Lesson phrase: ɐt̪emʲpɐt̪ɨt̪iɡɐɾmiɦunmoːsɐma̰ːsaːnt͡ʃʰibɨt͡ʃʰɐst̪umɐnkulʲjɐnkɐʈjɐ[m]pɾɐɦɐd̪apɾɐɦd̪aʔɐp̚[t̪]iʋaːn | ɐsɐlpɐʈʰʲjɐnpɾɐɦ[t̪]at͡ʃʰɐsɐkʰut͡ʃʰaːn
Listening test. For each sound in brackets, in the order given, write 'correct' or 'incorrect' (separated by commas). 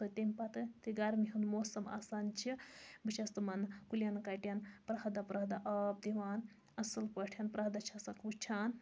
incorrect, incorrect, incorrect